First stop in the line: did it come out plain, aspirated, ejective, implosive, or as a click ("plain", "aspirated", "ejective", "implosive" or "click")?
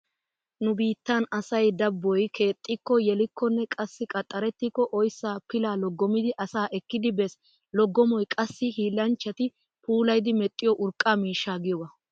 plain